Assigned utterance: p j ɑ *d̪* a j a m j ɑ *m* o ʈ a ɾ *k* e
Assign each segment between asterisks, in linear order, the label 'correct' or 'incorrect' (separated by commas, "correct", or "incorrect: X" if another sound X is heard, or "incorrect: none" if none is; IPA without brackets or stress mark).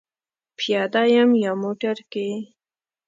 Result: correct, correct, correct